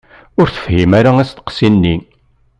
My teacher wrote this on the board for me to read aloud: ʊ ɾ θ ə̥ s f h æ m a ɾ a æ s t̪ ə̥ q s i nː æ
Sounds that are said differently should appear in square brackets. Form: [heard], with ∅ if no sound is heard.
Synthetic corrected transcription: ʊ ɾ θ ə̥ [∅] f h [i] m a ɾ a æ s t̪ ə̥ q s i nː [i]

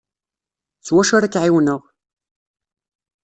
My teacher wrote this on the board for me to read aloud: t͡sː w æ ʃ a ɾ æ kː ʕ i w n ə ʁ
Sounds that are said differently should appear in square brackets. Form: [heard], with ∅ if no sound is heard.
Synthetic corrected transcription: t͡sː w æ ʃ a ɾ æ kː ʕ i w n ə ʁ

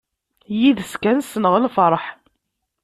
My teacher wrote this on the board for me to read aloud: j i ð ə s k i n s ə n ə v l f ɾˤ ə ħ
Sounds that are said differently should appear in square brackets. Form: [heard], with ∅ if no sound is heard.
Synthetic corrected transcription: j i ð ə s k [æ] n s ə n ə [ʁ] l f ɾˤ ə ħ

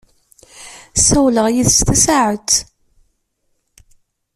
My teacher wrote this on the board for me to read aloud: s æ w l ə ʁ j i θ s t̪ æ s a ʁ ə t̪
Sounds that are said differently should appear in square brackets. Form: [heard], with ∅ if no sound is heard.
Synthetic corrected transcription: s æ w l ə ʁ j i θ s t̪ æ s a [ʕ] ə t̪

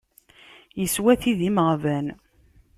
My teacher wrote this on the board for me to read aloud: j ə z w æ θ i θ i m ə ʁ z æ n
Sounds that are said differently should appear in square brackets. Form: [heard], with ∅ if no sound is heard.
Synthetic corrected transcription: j ə [s] w æ θ i [ð] i m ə ʁ [v] æ n

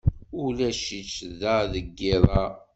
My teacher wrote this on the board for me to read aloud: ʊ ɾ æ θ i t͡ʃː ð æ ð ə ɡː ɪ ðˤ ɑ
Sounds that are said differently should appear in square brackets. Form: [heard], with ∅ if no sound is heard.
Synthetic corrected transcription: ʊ [l] æ [ʃ] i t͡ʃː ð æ ð ə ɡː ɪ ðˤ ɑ

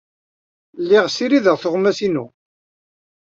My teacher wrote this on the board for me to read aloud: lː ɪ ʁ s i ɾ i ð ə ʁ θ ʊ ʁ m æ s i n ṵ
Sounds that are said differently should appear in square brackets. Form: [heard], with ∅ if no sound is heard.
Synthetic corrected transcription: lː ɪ ʁ s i ɾ i ð ə ʁ θ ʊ ʁ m æ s i n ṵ

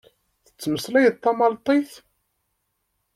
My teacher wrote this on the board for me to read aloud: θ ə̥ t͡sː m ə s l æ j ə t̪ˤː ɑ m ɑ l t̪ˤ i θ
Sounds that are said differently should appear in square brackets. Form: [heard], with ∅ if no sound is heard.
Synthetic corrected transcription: θ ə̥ t͡sː m ə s l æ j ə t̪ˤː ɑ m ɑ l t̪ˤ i θ

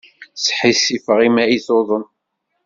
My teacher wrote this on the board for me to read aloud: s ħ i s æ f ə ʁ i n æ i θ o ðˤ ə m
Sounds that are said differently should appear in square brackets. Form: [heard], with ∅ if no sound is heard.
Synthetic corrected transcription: s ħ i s [i] f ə ʁ i [m] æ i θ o ðˤ ə [n]

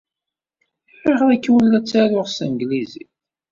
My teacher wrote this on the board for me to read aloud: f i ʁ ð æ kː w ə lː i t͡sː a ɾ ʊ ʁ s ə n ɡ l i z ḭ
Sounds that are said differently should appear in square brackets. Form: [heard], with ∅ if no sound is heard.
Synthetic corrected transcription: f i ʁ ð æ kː w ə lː [æ] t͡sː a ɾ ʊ ʁ s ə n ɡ l i z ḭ

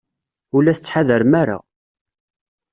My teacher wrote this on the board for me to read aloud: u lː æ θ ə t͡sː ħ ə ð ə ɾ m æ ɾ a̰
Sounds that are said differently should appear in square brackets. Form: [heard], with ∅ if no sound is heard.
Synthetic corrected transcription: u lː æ θ ə t͡sː ħ [a] ð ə ɾ m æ ɾ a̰

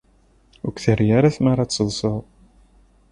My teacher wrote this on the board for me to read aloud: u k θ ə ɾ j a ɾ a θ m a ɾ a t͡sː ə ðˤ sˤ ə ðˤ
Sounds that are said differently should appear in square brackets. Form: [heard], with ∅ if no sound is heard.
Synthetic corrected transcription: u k θ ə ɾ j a ɾ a θ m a ɾ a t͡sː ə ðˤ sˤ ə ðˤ

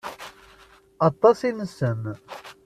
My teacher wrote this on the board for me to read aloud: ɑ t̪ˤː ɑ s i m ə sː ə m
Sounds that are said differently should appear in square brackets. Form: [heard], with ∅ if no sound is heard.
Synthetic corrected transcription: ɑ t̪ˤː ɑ s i [n] ə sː ə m

